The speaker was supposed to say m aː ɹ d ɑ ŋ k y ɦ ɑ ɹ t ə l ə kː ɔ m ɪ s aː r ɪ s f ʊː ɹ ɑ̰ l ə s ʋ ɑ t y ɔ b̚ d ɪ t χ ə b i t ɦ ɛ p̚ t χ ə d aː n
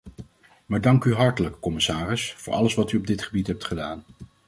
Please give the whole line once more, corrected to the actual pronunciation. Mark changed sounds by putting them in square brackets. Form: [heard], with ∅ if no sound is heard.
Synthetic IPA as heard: m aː ɹ d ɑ ŋ k y ɦ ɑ ɹ t ə l ə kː ɔ m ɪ s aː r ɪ s f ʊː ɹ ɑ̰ l ə s ʋ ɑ t y ɔ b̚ d ɪ t χ ə b i t ɦ ɛ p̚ t χ ə d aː n